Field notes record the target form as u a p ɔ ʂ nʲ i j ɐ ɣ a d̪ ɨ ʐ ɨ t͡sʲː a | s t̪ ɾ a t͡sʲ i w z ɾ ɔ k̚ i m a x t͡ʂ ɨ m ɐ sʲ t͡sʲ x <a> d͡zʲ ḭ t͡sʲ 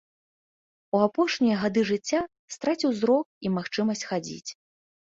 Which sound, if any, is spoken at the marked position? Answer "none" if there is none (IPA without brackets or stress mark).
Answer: a